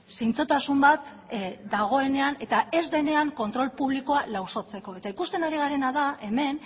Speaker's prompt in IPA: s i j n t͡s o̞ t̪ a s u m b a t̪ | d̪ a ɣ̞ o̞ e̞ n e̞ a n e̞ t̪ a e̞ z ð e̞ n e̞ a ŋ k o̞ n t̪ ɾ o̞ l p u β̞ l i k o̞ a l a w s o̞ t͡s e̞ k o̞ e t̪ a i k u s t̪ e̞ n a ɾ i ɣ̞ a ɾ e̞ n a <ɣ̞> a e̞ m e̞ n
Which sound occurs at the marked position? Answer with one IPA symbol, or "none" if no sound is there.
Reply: ð̞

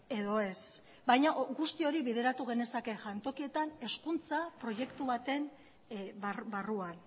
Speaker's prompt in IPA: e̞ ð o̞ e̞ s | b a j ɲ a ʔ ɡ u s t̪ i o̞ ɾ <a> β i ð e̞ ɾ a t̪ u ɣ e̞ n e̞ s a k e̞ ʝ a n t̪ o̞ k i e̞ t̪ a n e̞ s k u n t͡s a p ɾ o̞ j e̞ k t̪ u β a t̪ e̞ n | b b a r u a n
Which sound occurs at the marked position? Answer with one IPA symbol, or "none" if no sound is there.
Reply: i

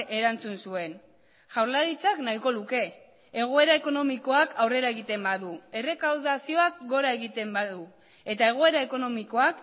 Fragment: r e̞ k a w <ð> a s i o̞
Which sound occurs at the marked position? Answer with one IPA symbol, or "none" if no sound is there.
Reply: ð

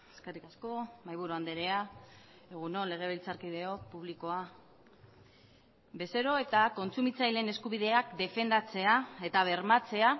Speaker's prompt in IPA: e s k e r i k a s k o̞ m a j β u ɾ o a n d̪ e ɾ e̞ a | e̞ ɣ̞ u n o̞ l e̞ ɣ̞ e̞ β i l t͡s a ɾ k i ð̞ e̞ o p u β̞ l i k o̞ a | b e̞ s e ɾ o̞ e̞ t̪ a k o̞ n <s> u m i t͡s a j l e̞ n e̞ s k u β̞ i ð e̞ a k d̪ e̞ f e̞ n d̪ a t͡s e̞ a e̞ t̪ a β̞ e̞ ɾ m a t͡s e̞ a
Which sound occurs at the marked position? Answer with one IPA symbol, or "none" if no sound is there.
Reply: t͡s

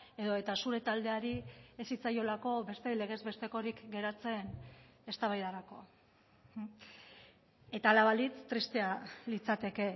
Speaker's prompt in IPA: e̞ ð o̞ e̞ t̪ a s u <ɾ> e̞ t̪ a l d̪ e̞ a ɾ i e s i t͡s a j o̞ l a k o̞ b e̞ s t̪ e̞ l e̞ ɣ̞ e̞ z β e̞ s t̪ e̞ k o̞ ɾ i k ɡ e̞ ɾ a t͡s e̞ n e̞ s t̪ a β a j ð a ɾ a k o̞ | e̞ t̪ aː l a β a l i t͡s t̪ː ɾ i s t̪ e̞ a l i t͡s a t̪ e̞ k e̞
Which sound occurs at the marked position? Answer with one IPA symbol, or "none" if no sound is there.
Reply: ɾ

